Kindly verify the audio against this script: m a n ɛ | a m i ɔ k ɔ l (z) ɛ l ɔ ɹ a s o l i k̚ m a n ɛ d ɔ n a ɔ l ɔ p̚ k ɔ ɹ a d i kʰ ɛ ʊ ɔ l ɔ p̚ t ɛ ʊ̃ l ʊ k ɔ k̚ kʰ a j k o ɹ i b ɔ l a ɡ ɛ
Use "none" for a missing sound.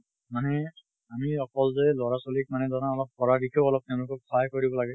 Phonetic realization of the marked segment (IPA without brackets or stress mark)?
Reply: z